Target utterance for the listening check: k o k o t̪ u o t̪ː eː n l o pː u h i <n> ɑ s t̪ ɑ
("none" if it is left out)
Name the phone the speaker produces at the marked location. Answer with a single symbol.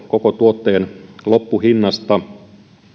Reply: nː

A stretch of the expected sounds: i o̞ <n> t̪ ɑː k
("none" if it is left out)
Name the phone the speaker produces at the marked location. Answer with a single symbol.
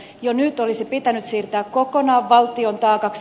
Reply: n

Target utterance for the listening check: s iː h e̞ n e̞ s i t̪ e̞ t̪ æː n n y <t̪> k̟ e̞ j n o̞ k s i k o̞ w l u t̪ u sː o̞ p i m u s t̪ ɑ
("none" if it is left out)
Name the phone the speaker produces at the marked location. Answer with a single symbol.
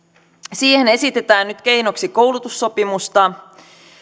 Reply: t̪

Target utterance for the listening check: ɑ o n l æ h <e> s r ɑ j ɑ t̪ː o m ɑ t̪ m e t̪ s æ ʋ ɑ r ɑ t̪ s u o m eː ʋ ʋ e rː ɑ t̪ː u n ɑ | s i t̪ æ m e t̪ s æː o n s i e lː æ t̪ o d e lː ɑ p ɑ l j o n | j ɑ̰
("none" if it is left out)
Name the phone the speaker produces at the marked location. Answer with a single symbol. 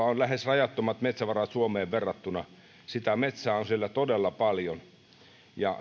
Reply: e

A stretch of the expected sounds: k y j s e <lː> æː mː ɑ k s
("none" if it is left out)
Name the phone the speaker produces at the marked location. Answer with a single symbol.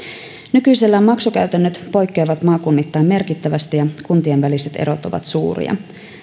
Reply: lː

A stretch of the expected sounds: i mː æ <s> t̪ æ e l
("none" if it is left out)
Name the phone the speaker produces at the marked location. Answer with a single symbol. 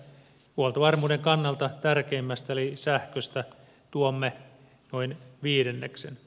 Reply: s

